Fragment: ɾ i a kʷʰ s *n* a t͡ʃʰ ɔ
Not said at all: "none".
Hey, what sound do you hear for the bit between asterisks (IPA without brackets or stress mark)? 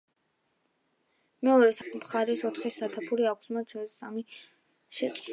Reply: m